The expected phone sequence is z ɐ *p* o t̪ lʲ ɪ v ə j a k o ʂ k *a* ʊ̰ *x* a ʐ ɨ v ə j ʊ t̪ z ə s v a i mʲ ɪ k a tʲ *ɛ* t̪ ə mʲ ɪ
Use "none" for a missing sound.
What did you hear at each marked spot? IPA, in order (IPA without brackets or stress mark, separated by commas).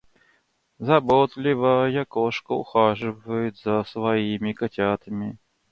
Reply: b, ə, x, a